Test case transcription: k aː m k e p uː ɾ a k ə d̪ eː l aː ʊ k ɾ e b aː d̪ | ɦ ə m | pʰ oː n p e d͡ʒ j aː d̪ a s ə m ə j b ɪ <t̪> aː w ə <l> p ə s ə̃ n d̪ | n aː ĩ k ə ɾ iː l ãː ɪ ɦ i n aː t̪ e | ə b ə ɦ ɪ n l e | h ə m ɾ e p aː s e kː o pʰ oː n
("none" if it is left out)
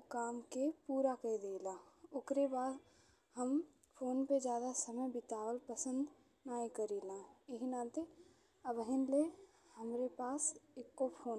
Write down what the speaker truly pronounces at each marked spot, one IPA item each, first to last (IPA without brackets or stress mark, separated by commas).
t̪, l